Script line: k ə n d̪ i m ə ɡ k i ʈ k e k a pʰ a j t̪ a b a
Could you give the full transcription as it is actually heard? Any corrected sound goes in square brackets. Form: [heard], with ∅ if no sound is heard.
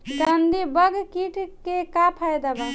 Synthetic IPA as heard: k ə n d̪ i [b] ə ɡ k i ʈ k e k a pʰ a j [d̪] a b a